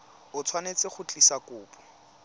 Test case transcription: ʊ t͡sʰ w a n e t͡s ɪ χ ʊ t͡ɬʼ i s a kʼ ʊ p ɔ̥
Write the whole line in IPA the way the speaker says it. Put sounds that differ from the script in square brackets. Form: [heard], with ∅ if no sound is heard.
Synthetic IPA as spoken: ʊ t͡sʰ w a n e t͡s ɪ χ ʊ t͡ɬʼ i s a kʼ [ʊː] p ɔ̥